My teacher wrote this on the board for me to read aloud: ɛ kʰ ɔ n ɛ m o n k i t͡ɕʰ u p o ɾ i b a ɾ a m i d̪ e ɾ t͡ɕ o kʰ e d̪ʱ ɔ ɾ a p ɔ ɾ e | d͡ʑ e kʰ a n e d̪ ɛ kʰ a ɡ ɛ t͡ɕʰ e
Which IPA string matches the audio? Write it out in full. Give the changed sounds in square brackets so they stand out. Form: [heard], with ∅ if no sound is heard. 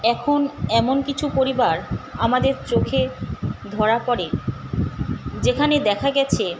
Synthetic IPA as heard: ɛ kʰ [o] n ɛ m o n k i t͡ɕʰ u p o ɾ i b a ɾ a m [a] d̪ e ɾ t͡ɕ o kʰ e d̪ʱ ɔ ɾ a p ɔ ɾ e | d͡ʑ e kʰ a n e d̪ ɛ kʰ a ɡ ɛ t͡ɕʰ e